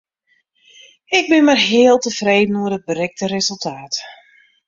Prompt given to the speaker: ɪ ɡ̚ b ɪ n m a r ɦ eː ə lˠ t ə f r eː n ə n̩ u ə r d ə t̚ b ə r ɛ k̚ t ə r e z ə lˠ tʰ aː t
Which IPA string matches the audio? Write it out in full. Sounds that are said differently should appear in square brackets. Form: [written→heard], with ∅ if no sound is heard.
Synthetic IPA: ɪ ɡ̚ b ɪ n m a r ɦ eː ə lˠ t ə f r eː [n→d] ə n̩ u ə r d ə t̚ b ə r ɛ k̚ t ə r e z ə lˠ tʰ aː t

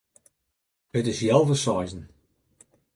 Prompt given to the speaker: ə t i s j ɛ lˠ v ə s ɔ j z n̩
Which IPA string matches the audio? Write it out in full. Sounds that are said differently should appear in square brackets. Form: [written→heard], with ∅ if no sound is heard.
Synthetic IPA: ə t [i→ɪ] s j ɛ lˠ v ə s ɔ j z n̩

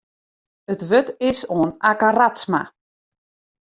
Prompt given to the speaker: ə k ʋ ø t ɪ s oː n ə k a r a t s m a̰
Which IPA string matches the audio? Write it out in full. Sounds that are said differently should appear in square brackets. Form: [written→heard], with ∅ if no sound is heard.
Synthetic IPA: ə [k→t] ʋ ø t ɪ s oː n [ə→a] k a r a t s m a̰

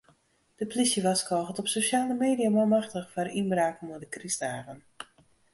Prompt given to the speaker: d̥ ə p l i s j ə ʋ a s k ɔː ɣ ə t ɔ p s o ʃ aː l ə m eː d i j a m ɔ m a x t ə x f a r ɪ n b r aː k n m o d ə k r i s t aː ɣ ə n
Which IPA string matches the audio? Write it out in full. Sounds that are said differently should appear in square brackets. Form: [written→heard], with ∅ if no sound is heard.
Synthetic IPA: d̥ ə p l i s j ə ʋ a s k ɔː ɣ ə t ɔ p s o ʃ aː l ə m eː d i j a m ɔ m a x t ə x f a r [ɪ→i] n b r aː k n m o d ə k r i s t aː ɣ ə n

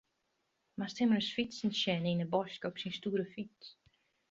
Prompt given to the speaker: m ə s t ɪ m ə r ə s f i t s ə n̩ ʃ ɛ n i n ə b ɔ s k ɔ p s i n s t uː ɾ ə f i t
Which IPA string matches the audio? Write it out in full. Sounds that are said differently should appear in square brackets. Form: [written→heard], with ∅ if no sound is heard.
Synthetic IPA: m [ə→a] s t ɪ m ə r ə s f i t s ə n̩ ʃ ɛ n i n ə b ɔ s k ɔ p s i n s t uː ɾ ə f i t

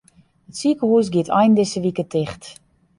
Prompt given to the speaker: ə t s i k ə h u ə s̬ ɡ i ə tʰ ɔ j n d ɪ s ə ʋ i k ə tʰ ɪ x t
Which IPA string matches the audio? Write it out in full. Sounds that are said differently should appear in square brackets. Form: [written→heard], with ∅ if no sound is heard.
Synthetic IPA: ə t s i k ə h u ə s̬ ɡ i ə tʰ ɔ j n d ɪ s ə ʋ i k ə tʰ ɪ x t

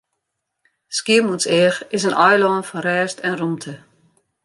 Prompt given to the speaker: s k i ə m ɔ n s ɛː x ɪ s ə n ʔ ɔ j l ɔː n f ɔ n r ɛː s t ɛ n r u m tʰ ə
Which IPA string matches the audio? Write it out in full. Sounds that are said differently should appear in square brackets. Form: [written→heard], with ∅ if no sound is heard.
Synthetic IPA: s k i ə m [ɔ→u] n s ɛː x ɪ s ə n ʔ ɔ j l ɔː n f ɔ n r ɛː s t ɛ n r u m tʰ ə

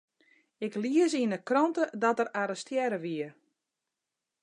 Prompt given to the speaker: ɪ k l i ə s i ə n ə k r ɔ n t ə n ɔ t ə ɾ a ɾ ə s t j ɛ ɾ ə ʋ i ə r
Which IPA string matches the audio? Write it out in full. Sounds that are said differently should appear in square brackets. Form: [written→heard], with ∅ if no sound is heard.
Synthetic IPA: ɪ k l i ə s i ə n ə k r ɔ n t ə [n→d] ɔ t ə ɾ a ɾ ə s t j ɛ ɾ ə ʋ i ə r

